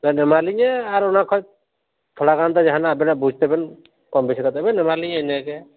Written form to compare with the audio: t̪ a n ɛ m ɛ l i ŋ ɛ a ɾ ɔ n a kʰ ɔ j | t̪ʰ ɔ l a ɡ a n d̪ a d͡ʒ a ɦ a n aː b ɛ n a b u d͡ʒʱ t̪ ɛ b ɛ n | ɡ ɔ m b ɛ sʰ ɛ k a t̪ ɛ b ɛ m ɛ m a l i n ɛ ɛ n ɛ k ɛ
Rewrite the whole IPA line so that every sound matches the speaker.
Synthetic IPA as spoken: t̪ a n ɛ m a l i ɲ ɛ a ɾ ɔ n a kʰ ɔ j | t̪ʰ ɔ ɽ a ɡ a n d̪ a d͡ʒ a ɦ a n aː b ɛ n a b u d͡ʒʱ t̪ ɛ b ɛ n | k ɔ m b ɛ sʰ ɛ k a t̪ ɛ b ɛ n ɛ m a l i ɲ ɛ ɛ n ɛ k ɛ